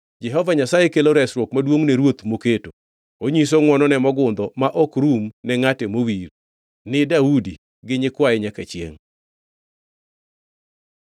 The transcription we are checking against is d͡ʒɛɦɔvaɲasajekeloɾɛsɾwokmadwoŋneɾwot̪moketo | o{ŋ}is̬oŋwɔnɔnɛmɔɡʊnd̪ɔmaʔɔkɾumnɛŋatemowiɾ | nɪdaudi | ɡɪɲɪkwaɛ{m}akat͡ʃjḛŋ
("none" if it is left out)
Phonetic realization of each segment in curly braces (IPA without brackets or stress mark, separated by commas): ɲ, ɲ